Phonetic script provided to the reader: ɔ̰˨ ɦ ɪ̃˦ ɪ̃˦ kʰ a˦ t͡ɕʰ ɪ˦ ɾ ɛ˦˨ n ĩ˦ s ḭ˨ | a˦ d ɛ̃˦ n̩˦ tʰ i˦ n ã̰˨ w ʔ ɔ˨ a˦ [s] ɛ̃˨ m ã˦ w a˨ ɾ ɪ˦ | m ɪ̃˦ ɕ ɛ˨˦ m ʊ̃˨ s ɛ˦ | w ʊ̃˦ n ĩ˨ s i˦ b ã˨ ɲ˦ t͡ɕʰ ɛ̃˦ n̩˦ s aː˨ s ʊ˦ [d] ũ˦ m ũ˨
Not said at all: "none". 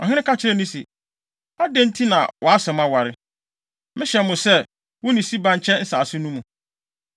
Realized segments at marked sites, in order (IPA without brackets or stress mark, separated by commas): s, n